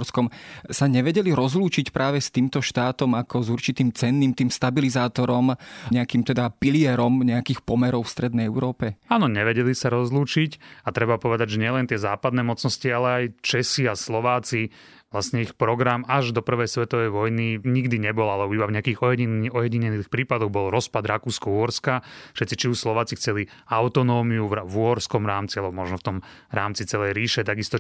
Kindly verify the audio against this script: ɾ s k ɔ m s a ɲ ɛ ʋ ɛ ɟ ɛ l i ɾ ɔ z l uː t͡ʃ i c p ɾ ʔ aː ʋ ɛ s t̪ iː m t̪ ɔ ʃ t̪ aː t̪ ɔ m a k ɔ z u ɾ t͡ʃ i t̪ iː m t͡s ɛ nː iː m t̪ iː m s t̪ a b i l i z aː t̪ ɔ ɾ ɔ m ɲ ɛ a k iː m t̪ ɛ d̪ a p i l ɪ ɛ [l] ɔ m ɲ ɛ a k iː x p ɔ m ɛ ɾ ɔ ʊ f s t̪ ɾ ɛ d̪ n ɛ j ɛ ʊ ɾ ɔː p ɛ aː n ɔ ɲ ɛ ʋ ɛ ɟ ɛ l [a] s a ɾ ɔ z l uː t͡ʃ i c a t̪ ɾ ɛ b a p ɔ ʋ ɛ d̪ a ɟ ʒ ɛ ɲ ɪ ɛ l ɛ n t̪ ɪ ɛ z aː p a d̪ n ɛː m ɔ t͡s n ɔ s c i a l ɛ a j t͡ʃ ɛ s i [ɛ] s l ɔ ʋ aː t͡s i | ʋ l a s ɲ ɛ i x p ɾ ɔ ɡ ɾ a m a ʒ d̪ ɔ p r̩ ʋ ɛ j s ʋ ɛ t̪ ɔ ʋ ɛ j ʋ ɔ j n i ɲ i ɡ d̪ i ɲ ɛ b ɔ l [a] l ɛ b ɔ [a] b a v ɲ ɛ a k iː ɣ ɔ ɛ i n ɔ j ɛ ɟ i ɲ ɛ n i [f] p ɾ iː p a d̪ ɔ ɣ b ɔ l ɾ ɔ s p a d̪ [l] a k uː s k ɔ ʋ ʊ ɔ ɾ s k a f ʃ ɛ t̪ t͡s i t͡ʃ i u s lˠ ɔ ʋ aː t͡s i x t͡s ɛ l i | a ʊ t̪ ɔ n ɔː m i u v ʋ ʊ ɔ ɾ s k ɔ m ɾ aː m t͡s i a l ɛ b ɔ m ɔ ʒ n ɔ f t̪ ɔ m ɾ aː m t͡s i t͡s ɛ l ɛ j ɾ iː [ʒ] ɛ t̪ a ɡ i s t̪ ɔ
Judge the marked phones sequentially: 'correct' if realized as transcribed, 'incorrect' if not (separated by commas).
incorrect, incorrect, incorrect, correct, incorrect, incorrect, incorrect, incorrect